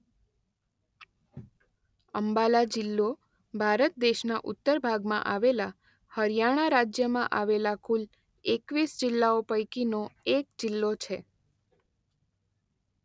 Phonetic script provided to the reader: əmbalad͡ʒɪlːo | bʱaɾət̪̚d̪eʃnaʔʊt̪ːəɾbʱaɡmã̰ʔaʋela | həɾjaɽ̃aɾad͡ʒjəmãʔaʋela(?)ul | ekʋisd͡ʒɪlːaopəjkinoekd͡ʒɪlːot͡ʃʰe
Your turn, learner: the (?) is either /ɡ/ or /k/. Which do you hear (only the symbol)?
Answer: k